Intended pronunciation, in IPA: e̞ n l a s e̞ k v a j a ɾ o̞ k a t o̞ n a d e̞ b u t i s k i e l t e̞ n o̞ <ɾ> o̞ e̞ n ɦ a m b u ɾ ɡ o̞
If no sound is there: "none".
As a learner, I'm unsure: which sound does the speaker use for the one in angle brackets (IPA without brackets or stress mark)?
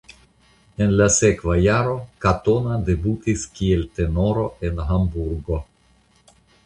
ɾ